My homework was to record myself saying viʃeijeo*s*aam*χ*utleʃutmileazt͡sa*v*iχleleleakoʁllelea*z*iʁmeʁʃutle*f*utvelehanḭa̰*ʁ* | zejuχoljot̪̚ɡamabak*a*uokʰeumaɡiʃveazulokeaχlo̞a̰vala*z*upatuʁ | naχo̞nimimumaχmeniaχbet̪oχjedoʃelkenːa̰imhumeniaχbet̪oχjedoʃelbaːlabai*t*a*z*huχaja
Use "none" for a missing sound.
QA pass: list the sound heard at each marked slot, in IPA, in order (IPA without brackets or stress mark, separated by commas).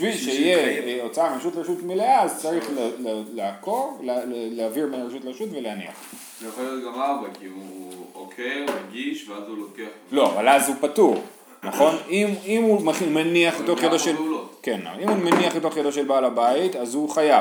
t͡s, ʃ, ʁ, v, ʃ, χ, i, z, t, z